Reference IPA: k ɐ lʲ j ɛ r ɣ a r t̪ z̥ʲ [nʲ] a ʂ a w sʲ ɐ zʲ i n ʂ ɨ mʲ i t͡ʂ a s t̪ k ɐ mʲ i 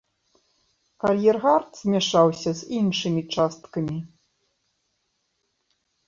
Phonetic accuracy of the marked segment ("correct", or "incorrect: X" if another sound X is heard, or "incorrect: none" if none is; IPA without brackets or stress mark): incorrect: mʲ